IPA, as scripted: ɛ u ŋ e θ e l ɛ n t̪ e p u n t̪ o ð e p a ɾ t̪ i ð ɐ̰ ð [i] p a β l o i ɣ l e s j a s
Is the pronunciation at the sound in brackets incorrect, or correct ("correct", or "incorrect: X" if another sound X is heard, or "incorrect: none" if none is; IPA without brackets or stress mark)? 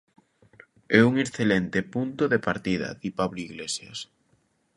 correct